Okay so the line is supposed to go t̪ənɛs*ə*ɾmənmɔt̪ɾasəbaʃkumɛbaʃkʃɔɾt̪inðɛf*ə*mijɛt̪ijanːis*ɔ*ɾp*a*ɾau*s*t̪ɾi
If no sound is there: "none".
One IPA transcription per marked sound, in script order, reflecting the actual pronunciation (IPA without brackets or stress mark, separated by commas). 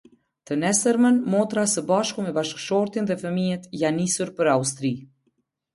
ə, ə, u, ə, s